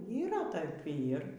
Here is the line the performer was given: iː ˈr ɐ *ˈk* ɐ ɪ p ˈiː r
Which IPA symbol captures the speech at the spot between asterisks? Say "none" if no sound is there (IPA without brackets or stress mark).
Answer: t